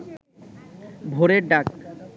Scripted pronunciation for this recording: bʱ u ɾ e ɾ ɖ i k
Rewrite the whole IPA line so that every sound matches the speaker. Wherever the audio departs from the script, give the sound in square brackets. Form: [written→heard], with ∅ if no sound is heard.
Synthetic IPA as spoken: bʱ [u→o] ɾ e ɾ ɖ [i→a] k